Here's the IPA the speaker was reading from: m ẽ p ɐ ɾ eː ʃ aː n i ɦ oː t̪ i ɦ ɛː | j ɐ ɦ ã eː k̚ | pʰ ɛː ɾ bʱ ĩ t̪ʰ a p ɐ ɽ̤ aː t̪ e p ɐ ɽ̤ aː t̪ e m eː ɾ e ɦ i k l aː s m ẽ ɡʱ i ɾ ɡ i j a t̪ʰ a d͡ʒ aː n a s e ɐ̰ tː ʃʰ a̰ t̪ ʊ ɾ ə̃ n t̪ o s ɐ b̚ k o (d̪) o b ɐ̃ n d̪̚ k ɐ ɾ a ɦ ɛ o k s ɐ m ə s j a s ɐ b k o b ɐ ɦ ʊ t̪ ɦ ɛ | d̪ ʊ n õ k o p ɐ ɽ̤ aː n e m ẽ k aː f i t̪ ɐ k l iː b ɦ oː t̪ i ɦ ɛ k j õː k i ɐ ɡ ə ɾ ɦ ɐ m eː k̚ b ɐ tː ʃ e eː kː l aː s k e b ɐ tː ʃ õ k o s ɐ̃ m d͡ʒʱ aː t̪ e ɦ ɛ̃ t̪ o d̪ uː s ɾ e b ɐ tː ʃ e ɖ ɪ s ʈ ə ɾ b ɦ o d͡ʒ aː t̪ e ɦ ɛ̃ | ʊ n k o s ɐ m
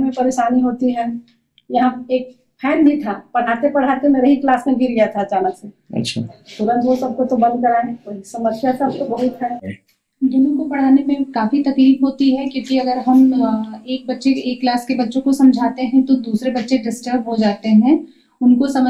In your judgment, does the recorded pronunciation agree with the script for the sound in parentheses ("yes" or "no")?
no